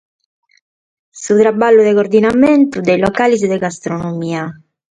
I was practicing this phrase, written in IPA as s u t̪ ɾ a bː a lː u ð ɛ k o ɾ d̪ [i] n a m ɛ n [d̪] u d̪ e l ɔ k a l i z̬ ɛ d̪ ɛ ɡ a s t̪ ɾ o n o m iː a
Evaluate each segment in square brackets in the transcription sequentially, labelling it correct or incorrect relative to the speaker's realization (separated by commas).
correct, incorrect